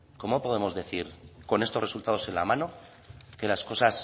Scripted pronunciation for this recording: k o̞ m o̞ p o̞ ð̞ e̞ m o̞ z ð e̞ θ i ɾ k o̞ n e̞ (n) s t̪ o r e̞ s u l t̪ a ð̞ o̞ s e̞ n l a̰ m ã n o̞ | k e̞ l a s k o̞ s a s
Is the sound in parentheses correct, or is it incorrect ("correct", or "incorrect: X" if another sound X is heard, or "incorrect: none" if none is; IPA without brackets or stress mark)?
incorrect: none